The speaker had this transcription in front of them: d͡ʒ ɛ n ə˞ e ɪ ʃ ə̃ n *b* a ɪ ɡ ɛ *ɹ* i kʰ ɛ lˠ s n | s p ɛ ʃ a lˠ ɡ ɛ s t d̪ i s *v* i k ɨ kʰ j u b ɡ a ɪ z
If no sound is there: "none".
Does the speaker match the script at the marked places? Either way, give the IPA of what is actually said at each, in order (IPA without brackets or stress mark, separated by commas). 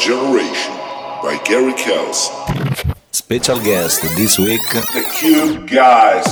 b, ɹ, w